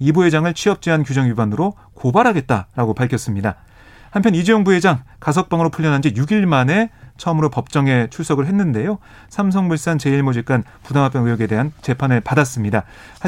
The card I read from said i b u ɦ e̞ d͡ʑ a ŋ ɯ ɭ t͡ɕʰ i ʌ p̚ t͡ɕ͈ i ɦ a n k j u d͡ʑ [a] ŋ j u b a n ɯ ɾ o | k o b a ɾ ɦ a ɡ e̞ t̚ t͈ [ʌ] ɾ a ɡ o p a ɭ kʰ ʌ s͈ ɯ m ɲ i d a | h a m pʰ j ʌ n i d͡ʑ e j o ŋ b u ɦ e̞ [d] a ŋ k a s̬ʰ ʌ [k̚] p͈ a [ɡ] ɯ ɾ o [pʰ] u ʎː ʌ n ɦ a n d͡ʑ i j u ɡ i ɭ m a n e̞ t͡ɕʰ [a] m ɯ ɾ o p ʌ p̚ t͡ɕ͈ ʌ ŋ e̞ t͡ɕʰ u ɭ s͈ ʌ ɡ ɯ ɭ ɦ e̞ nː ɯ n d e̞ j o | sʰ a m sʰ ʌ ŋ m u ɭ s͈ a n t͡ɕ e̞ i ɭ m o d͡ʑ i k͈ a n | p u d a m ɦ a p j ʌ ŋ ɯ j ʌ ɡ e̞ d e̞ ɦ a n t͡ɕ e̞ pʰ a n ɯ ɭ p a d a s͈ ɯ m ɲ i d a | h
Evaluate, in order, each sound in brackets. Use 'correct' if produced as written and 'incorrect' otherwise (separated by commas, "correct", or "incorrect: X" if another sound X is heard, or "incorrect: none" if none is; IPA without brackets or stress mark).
incorrect: ʌ, incorrect: a, incorrect: d͡ʑ, correct, incorrect: ŋ, correct, incorrect: ʌ